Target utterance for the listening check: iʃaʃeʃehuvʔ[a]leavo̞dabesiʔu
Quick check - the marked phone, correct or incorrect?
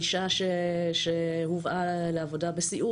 correct